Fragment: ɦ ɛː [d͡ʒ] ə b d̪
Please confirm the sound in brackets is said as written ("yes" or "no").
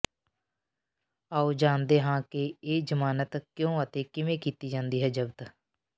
yes